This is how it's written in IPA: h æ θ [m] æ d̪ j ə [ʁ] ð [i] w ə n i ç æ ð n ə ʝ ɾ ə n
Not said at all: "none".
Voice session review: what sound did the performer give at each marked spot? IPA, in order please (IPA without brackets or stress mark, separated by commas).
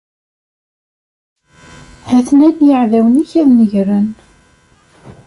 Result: n, ʕ, æ